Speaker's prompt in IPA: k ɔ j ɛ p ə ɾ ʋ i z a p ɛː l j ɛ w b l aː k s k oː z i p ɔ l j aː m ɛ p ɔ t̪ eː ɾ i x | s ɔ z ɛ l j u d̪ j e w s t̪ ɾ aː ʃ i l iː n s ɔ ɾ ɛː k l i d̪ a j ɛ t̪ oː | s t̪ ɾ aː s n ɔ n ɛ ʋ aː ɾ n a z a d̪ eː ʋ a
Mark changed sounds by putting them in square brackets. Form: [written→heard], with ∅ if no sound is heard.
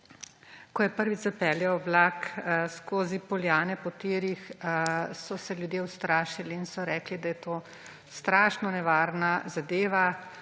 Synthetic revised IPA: k ɔ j ɛ p ə ɾ ʋ i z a p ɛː l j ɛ w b l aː k s k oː z i p ɔ l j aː [m→n] ɛ p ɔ t̪ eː ɾ i x | s ɔ [z→s] ɛ l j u d̪ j e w s t̪ ɾ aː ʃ i l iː n s ɔ ɾ ɛː k l i d̪ a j ɛ t̪ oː | s t̪ ɾ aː [s→ʃ] n ɔ n ɛ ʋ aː ɾ n a z a d̪ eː ʋ a